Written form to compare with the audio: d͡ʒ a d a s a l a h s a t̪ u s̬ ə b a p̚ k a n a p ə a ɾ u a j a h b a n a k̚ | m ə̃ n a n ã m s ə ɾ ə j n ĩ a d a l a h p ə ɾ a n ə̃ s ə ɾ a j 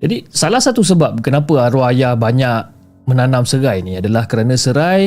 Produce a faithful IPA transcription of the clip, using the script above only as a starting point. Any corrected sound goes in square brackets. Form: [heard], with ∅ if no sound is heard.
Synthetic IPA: d͡ʒ a d [i] s a l a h s a t̪ u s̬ ə b a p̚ k [ə] n a p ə a ɾ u a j a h b a [ɲ] a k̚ | m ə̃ n a n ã m s ə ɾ [a] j n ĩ a d a l a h [k] ə ɾ a n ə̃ s ə ɾ a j